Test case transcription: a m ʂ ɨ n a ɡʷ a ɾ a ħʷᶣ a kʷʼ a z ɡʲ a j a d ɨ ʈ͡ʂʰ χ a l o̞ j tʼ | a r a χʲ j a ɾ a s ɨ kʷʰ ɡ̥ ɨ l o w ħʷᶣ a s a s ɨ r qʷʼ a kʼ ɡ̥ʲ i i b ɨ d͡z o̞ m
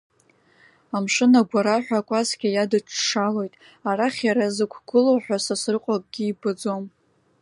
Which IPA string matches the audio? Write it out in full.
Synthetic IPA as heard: a m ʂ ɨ n a ɡʷ a ɾ a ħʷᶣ a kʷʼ a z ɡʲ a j a d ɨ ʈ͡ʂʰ ʂ a l o̞ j tʼ | a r a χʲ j a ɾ a z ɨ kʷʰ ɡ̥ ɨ l o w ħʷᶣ a s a s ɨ r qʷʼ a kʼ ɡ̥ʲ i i b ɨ d͡z o̞ m